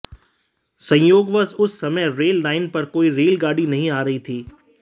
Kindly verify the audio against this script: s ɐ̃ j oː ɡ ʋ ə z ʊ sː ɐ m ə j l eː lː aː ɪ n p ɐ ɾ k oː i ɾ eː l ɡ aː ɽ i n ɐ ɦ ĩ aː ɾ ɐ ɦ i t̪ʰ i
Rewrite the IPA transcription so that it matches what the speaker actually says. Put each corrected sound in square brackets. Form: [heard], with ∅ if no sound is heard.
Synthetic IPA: s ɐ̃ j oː ɡ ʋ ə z ʊ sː ɐ m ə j [ɾ] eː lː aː ɪ n p ɐ ɾ k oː i ɾ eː l ɡ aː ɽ i n ɐ ɦ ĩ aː ɾ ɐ ɦ i t̪ʰ [iː]